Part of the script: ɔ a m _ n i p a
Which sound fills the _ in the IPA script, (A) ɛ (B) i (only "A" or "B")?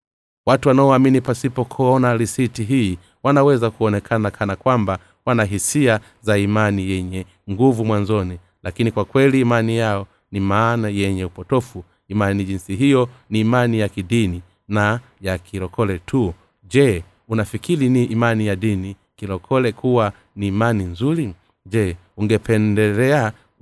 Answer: B